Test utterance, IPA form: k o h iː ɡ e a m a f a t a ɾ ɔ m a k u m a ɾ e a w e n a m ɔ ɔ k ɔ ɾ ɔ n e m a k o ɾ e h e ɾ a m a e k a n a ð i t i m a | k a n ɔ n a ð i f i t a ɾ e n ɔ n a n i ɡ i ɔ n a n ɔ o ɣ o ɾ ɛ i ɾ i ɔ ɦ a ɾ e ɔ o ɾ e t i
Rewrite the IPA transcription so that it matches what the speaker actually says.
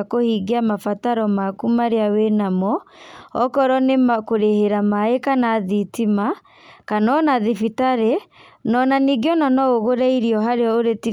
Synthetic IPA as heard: k o h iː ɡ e a m a f a t a ɾ ɔ m a k u m a ɾ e a w e n a m ɔ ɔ k ɔ ɾ ɔ n e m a k o ɾ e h e ɾ a m a e k a n a ð i t i m a | k a n ɔ n a ð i f i t a ɾ e n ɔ n a n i ɡ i ɔ n a n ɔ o ɣ o ɾ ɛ i ɾ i ɔ ɦ a ɾ e ɔ o ɾ e t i